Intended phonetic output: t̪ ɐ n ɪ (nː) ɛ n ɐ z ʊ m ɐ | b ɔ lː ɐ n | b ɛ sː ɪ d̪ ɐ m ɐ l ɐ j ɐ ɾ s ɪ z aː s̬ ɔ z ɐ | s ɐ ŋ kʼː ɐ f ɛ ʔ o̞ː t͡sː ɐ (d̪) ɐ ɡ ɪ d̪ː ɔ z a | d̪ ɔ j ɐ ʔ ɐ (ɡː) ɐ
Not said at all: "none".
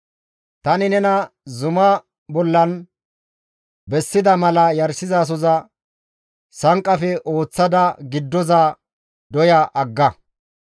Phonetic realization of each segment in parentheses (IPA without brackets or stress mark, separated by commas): n, d̪, ɡː